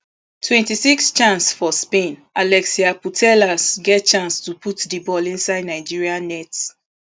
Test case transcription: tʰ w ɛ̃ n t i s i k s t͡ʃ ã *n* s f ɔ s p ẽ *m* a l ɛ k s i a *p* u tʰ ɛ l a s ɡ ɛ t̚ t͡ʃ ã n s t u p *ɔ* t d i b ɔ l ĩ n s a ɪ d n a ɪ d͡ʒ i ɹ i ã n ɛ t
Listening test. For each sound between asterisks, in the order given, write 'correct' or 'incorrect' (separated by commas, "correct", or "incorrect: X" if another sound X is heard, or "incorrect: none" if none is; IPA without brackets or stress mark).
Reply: correct, incorrect: n, correct, incorrect: u